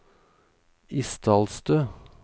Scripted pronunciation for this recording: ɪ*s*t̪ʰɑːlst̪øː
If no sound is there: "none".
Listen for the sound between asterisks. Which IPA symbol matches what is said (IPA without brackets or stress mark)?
s